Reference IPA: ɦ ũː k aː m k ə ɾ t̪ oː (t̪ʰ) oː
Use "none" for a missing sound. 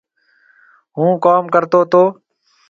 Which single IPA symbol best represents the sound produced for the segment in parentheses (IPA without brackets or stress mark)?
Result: t̪